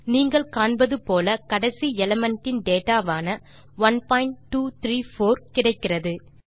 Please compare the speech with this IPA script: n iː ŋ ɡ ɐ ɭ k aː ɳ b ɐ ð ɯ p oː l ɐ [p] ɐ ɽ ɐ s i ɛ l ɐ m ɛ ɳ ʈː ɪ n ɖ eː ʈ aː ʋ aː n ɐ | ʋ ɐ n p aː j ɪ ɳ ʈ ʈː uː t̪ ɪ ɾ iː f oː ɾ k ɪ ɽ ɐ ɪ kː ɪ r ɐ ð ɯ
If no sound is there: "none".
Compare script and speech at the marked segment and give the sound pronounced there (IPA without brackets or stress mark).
k